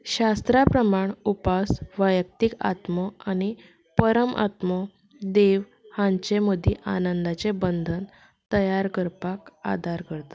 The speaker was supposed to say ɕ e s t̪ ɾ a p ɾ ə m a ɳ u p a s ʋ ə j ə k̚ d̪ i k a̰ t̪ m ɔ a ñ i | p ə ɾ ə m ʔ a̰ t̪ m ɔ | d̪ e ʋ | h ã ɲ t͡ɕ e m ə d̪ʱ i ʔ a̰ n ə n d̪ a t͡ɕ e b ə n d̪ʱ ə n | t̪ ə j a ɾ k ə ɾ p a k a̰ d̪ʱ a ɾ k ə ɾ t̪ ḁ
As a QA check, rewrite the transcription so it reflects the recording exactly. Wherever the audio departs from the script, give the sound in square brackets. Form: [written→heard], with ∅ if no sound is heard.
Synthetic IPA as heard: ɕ [e→a] s t̪ ɾ a p ɾ ə m a ɳ u p a s ʋ ə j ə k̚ [d̪→t̪] i k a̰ t̪ m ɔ a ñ i | p ə ɾ ə m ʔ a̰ t̪ m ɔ | d̪ e ʋ | h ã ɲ t͡ɕ e m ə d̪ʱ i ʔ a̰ n ə n d̪ a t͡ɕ e b ə n d̪ʱ ə n | t̪ ə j a ɾ k ə ɾ p a k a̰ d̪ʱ a ɾ k ə ɾ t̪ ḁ